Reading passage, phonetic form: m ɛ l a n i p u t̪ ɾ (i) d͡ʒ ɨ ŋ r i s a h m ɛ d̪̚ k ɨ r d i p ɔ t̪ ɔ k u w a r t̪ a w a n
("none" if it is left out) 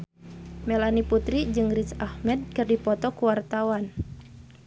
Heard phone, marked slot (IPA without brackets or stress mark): i